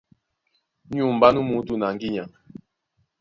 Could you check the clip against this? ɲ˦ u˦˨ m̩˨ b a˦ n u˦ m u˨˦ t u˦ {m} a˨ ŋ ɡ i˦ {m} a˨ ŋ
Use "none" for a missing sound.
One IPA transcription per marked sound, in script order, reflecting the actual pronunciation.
n, ɲ

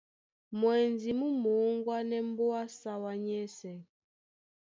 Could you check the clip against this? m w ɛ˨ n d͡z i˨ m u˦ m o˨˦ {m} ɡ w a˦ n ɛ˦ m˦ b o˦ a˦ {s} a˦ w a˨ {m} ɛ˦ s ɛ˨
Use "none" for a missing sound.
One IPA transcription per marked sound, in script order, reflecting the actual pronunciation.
ŋ, s, ɲ

